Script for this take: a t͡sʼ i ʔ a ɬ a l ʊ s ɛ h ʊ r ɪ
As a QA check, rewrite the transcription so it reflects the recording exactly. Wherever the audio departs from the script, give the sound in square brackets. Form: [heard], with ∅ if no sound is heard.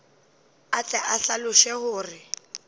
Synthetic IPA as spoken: a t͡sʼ [ɛ] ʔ a ɬ a l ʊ [ʃ] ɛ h [ʊː] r ɪ